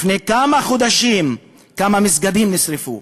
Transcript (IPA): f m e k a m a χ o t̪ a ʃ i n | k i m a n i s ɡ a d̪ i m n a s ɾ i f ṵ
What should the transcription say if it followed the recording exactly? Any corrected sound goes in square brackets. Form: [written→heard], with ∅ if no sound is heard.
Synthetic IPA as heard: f [m→n] e k a m a χ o [t̪→d̪] a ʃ i [n→m] | k [i→a] m a [n→m] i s ɡ a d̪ i m n [a→i] s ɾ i f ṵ